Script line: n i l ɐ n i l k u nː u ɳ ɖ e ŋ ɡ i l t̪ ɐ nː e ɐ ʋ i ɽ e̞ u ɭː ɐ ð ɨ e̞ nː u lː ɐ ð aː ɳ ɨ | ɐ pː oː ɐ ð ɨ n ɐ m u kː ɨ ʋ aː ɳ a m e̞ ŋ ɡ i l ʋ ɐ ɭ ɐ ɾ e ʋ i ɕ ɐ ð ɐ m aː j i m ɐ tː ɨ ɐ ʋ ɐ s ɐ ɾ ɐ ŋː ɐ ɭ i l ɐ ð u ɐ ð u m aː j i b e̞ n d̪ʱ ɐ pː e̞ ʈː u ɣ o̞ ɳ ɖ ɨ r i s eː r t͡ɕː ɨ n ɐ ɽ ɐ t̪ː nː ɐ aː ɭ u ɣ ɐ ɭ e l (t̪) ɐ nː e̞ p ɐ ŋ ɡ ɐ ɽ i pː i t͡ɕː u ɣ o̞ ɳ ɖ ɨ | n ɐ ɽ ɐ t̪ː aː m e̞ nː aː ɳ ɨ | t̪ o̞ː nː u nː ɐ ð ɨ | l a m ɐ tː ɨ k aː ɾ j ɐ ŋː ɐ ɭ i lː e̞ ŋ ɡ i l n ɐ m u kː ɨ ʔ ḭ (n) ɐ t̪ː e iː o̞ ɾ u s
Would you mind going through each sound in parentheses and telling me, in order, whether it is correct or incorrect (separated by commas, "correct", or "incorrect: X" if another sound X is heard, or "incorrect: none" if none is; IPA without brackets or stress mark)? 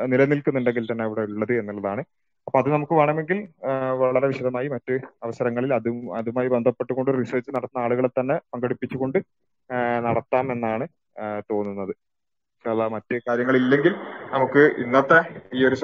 correct, incorrect: nː